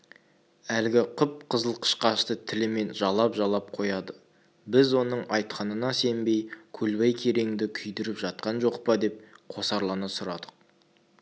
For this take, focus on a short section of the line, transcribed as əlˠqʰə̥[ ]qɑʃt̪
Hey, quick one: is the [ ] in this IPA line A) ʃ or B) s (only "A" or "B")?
A